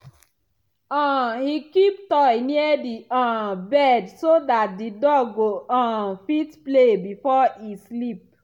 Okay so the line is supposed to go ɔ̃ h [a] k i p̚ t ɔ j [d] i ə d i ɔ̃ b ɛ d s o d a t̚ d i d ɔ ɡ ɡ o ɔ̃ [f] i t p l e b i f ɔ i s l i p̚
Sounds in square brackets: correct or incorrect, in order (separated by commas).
incorrect, incorrect, correct